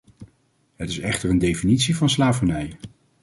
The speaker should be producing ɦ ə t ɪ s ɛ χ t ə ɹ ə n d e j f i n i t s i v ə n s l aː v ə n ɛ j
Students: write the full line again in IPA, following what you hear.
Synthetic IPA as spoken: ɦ ə t ɪ s ɛ χ t ə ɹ ə n d e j f i n i t s i v ɑ n s l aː v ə n ɛ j